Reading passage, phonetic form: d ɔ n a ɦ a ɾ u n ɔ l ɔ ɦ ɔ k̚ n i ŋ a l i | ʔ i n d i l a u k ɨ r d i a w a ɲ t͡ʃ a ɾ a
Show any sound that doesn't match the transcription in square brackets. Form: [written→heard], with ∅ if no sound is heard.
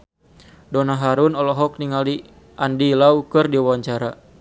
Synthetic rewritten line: d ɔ n a ɦ a ɾ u n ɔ l ɔ ɦ ɔ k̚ n i ŋ a l i | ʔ [i→a] n d i l a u k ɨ r d i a w a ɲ t͡ʃ a ɾ a